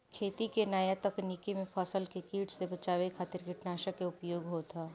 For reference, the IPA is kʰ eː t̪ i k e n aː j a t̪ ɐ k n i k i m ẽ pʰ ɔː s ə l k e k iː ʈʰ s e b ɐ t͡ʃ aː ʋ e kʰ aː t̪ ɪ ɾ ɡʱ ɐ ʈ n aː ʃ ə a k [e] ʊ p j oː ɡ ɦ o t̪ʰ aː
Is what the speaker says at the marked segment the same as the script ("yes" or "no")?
yes